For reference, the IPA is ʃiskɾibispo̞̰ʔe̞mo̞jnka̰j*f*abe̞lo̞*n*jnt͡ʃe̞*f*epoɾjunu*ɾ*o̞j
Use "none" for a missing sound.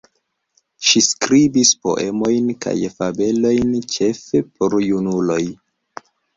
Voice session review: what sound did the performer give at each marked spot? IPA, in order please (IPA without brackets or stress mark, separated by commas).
f, none, f, l